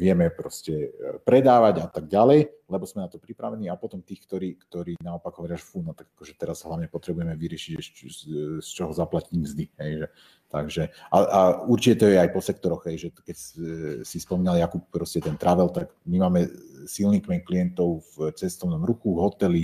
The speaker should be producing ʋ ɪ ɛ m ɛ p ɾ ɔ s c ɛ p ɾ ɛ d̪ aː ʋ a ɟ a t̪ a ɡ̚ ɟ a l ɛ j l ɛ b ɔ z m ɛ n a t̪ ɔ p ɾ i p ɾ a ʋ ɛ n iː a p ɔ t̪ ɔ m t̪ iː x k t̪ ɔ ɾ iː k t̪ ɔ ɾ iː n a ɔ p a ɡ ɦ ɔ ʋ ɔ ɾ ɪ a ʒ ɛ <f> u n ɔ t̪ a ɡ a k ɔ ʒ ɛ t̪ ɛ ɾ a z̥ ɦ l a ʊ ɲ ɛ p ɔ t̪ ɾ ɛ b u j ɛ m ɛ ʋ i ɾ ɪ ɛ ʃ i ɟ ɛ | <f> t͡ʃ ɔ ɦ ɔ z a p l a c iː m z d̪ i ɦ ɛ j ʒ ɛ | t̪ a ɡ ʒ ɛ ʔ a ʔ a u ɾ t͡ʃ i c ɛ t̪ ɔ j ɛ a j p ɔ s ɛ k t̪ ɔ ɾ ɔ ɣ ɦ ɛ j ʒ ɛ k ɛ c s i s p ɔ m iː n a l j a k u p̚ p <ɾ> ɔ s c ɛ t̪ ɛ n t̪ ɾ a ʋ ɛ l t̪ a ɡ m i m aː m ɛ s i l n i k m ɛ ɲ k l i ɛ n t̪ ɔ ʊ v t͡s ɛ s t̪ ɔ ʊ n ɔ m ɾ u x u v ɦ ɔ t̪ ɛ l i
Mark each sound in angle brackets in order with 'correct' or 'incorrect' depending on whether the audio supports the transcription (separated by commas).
correct, incorrect, correct